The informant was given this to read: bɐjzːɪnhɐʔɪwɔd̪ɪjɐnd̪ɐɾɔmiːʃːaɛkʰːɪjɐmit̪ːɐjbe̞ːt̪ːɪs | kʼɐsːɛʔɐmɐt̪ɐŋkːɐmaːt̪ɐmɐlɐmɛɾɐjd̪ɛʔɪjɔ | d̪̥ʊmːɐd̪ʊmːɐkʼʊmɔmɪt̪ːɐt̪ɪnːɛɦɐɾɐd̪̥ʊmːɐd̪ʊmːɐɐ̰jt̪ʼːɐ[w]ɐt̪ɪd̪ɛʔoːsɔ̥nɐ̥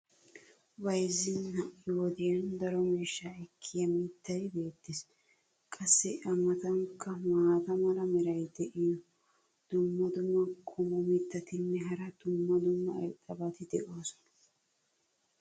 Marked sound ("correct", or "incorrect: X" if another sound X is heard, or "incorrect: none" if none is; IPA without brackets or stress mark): incorrect: b